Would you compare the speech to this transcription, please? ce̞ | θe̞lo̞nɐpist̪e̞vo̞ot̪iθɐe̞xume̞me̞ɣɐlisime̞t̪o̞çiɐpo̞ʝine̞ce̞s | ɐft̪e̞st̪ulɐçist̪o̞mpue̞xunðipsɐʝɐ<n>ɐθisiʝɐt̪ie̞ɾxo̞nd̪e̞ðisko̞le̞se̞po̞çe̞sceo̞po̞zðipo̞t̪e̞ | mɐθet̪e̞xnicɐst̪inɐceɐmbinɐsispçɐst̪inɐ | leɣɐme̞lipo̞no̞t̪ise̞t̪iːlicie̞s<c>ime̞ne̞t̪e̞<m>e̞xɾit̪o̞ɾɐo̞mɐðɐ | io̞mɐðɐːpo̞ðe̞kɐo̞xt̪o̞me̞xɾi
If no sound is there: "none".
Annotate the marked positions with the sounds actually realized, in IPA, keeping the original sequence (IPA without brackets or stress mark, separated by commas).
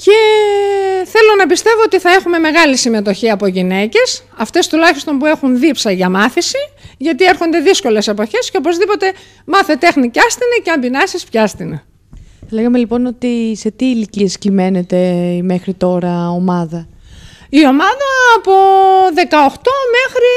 m, c, m